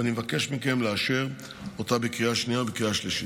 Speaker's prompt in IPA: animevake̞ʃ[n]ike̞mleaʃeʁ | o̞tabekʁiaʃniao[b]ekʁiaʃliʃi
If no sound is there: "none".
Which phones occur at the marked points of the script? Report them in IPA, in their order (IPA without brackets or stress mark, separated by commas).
m, b